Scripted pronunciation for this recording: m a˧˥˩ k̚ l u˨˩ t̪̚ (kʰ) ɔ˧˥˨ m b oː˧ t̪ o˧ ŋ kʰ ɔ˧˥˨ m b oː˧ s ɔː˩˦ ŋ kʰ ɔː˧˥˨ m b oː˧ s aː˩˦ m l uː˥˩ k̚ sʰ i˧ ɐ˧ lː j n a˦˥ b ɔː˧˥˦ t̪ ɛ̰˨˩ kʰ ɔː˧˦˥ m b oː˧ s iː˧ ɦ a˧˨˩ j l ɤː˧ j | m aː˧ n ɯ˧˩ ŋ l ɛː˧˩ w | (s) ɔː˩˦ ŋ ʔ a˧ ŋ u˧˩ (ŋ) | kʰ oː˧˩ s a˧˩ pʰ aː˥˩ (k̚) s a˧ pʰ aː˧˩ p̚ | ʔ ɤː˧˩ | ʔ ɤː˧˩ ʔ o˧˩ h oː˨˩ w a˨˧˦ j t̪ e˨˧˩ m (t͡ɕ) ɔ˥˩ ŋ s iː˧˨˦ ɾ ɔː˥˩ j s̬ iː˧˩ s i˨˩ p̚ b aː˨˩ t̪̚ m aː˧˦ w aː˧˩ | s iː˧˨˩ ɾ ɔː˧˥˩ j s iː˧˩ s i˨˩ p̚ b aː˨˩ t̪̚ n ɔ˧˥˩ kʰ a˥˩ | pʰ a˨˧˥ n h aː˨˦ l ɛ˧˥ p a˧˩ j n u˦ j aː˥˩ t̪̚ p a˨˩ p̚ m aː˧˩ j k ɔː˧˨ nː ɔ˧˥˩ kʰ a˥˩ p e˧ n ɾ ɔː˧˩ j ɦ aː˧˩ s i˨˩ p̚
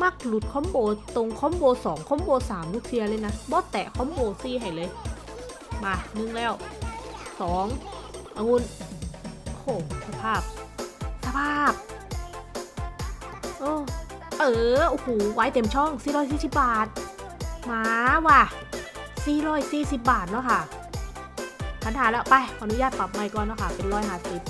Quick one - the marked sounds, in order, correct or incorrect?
correct, correct, incorrect, incorrect, incorrect

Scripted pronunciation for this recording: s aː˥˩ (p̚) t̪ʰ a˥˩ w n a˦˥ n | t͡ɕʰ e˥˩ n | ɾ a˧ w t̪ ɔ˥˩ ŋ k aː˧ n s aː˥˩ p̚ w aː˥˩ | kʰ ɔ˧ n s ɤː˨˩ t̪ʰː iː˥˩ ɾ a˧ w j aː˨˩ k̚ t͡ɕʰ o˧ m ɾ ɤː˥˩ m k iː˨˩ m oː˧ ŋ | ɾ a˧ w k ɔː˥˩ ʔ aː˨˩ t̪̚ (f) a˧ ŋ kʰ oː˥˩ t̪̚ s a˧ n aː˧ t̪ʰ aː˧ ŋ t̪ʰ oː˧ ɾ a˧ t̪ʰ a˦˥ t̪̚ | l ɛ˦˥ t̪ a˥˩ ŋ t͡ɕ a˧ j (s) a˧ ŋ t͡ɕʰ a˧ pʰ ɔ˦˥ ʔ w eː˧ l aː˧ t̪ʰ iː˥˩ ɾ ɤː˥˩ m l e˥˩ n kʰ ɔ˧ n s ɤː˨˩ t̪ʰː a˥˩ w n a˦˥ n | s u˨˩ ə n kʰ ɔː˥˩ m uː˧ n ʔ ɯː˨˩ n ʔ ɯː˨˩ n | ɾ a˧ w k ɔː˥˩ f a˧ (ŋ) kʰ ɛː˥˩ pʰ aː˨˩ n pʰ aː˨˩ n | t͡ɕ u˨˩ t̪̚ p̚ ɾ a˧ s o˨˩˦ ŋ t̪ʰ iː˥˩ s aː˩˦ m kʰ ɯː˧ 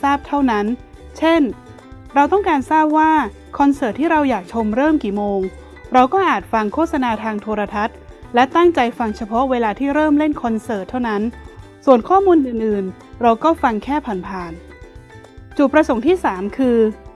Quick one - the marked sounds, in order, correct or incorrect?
correct, correct, incorrect, correct

